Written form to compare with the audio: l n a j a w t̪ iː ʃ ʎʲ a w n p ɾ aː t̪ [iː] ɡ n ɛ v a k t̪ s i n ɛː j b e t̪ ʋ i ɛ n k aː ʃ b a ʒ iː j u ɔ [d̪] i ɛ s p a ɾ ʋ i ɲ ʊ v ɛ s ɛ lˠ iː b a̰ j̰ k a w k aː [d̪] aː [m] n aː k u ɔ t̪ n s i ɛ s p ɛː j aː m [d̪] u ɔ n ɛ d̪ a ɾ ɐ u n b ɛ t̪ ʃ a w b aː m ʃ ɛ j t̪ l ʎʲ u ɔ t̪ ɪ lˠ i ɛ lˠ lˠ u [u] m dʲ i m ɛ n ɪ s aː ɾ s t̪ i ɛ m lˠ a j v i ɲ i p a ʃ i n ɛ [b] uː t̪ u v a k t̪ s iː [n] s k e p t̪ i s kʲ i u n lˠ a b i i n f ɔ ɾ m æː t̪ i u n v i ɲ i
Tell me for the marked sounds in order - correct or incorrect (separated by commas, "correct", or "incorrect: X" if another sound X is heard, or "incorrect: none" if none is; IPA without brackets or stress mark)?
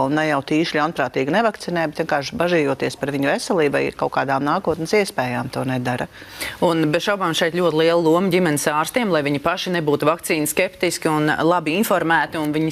correct, incorrect: t̪, correct, correct, incorrect: t̪, incorrect: ɔ, correct, correct